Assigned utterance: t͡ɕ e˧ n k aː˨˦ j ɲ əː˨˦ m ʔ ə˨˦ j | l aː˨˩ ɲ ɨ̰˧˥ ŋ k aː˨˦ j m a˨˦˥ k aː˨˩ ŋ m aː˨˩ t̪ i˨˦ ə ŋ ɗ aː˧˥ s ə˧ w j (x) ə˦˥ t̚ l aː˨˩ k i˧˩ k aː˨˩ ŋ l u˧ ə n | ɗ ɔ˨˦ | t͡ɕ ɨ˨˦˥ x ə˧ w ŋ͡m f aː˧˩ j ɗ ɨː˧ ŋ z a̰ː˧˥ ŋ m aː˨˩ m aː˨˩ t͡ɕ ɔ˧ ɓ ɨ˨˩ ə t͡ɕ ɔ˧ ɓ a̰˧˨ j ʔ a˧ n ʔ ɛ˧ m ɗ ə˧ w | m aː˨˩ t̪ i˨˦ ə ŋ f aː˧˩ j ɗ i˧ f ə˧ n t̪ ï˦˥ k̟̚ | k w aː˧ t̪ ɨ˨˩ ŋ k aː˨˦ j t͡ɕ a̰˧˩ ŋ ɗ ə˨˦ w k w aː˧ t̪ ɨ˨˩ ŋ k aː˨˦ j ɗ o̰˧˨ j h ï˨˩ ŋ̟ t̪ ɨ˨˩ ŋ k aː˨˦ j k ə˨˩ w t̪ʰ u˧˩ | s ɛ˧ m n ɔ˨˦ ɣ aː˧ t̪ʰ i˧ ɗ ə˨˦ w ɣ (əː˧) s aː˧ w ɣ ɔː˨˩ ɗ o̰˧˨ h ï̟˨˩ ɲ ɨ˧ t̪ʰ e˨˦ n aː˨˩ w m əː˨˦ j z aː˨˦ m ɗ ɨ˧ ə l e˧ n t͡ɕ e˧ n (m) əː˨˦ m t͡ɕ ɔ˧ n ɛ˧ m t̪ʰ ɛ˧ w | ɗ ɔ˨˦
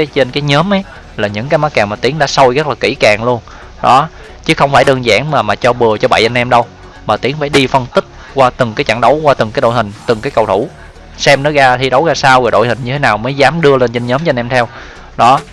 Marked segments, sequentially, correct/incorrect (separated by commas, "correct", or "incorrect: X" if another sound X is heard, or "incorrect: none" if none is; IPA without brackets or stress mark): incorrect: ɣ, incorrect: aː˧, incorrect: ɲ